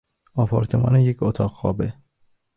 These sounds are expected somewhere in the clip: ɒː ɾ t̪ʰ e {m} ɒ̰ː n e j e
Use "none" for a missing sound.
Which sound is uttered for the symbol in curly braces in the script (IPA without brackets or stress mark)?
m